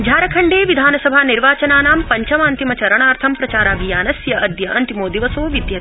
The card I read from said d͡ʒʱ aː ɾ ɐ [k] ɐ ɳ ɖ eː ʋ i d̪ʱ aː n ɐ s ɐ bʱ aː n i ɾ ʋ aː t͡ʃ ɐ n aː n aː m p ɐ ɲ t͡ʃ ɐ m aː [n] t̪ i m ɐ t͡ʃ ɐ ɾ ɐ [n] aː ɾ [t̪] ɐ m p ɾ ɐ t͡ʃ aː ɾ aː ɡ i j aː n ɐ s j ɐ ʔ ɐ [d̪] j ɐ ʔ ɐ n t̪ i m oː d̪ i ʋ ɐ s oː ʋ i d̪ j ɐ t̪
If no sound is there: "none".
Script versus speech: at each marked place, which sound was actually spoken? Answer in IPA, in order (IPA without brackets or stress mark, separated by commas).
kʰ, n, ɳ, t̪ʰ, d̪